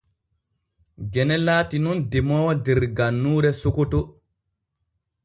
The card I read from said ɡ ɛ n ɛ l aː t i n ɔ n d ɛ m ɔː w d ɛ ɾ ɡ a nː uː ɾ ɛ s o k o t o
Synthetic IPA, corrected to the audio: ɡ ɛ n ɛ l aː t i n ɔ n d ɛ m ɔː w d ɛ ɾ ɡ a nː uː ɾ ɛ s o k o t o